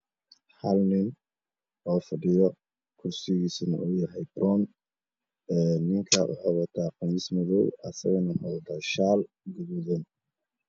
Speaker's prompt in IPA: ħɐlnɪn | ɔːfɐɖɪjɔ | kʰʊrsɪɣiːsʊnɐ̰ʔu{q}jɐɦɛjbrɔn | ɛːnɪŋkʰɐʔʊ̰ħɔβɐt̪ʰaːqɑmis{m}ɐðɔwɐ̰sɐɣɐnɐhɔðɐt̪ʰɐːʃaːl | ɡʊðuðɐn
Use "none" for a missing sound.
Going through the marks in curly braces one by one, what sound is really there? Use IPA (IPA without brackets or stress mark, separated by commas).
none, m